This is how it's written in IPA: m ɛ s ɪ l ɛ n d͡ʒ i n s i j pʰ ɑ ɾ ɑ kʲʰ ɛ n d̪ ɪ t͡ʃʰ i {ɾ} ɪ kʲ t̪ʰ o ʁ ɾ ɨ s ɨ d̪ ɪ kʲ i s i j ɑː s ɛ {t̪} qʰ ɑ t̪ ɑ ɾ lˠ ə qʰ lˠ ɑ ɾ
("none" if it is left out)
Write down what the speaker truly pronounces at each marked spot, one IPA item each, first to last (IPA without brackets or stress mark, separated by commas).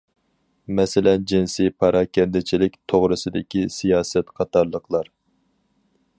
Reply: l, t̪